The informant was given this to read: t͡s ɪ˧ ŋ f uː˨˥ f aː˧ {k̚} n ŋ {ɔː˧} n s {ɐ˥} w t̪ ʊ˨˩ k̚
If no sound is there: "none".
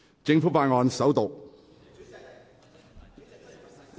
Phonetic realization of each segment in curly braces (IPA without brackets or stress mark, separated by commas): none, ɔː˧, ɐ˨˥